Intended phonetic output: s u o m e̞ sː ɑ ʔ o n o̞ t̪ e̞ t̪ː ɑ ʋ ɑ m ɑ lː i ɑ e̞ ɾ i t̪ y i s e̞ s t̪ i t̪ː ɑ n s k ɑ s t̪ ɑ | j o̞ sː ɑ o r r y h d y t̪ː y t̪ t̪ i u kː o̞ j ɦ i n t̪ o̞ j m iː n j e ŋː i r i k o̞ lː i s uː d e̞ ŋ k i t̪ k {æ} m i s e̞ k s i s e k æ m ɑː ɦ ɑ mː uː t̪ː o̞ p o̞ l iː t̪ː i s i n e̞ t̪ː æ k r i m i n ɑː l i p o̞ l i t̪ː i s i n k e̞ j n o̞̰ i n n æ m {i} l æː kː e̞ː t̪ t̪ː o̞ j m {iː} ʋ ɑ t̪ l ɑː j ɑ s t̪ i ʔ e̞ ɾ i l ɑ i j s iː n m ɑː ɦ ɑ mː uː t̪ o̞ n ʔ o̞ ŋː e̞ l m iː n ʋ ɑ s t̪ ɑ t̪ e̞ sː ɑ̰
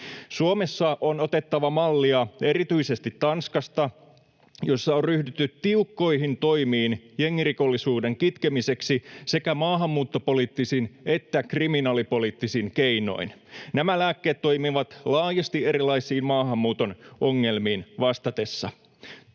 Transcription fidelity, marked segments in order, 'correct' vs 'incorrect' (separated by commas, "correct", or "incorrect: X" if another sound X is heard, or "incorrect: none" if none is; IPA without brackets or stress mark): incorrect: e, incorrect: æ, incorrect: i